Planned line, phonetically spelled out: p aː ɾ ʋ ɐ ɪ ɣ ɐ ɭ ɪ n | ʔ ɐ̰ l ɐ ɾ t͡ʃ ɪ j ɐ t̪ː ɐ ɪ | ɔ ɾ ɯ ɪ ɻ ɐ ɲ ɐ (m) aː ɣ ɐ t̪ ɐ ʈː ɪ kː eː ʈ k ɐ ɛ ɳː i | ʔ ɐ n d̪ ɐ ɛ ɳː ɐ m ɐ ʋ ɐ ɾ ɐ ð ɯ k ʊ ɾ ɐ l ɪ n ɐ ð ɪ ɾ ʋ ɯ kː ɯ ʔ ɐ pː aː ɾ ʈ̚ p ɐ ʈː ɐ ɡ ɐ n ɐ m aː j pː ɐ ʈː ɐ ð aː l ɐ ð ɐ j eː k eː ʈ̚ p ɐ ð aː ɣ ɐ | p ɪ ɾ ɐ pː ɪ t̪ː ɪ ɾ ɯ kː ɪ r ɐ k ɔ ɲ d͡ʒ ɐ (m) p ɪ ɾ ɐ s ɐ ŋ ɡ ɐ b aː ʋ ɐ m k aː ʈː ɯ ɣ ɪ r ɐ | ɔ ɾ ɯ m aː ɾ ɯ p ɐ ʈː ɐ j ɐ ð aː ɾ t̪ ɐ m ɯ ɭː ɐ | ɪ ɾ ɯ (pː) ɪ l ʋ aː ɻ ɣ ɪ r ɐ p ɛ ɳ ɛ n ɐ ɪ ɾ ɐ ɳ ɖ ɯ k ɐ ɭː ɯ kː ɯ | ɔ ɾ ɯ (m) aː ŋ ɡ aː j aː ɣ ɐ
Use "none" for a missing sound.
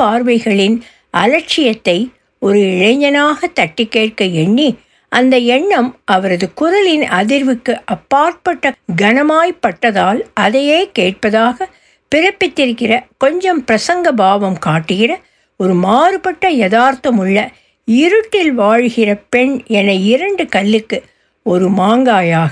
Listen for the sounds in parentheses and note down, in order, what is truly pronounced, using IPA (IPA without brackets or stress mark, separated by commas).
n, m, ʈː, m